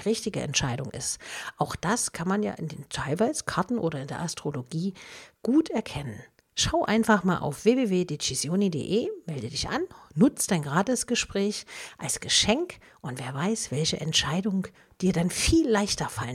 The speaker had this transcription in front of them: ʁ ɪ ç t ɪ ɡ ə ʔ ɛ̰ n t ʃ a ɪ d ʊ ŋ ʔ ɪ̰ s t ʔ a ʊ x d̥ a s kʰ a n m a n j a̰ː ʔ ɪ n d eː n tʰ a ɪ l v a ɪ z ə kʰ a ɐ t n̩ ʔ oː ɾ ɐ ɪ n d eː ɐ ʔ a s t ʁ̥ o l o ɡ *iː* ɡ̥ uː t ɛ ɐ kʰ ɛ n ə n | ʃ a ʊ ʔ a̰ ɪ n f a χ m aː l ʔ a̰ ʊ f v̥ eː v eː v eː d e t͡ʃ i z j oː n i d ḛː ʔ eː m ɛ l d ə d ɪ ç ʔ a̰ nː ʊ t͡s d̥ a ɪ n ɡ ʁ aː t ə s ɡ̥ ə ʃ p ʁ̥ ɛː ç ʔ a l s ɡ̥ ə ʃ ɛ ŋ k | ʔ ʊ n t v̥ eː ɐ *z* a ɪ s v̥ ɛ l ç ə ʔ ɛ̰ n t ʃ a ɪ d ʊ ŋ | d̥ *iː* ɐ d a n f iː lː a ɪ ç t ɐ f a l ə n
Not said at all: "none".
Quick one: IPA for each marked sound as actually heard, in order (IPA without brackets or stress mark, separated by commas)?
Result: iː, v, iː